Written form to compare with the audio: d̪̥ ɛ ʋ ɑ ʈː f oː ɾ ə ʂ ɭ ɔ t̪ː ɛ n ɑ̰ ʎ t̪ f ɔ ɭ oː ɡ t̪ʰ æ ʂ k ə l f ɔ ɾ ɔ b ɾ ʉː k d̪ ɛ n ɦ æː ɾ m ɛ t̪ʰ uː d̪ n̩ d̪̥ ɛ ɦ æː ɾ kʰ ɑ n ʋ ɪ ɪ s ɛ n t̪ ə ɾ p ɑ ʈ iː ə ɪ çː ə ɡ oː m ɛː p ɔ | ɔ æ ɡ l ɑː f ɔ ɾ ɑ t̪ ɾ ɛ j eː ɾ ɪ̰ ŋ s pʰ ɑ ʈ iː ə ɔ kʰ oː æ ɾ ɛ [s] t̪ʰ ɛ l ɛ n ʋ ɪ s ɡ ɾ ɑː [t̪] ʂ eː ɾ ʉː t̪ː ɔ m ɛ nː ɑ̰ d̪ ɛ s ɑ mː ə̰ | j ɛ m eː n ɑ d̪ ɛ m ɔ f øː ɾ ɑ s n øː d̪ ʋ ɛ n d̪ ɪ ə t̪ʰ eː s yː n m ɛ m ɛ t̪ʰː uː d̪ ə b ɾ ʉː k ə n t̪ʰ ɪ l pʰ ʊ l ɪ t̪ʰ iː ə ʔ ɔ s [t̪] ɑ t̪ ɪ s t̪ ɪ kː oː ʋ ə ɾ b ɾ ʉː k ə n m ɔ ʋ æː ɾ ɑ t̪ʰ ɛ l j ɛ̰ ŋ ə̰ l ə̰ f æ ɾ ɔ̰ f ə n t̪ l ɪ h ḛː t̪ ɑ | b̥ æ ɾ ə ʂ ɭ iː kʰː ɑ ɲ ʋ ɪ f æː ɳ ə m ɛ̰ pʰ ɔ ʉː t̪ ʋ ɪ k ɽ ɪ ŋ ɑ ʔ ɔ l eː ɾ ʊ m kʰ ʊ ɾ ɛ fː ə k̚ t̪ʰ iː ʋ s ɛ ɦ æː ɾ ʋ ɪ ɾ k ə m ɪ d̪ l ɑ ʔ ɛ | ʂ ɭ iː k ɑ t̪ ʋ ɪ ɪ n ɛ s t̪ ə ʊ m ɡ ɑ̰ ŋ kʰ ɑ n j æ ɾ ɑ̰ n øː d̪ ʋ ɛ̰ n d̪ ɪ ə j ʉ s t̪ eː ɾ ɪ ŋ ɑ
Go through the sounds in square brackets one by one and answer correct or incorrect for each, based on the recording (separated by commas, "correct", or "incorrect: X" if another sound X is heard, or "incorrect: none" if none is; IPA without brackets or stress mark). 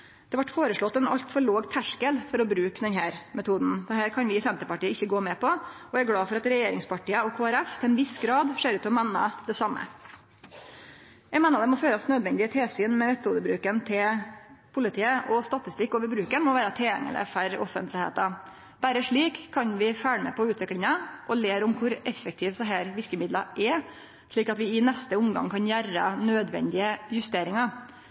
incorrect: f, incorrect: d̪, correct